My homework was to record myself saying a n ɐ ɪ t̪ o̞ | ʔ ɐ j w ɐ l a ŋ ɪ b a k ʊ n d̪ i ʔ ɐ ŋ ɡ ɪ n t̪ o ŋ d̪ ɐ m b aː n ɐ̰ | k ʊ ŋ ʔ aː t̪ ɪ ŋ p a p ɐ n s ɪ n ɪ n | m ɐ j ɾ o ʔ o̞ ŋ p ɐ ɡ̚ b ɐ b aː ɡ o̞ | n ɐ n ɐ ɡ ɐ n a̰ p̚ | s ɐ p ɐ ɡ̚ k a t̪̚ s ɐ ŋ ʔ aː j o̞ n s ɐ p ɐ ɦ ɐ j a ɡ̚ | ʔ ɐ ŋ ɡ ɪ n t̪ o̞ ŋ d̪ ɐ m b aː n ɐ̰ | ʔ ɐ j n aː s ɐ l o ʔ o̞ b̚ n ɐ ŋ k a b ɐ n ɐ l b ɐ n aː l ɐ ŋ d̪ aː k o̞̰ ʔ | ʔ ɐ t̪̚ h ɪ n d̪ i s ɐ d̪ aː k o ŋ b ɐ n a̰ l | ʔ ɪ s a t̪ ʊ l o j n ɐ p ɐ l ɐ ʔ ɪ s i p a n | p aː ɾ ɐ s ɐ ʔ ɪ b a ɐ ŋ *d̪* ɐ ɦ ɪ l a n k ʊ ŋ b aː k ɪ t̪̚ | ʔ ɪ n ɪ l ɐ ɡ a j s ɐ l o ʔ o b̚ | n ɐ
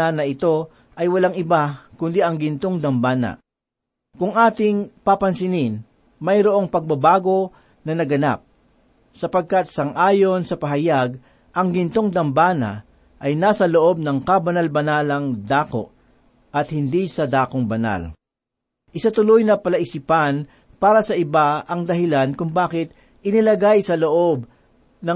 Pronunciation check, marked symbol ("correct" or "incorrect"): correct